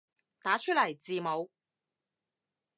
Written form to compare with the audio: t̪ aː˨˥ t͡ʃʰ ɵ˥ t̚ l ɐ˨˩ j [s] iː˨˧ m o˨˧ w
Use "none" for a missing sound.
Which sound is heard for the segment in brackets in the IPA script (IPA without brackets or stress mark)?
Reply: t͡s